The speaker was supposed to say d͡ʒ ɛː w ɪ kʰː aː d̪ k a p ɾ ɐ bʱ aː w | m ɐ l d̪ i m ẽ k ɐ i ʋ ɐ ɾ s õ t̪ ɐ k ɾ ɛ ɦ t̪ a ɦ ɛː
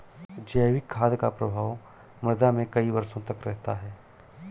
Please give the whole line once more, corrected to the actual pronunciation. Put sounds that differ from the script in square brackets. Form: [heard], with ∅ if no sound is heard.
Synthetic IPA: d͡ʒ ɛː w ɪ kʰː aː d̪ k a p ɾ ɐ bʱ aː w | m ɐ [ɾ] d̪ [a] m ẽ k ɐ i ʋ ɐ ɾ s õ t̪ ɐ k ɾ ɛ ɦ t̪ a ɦ ɛː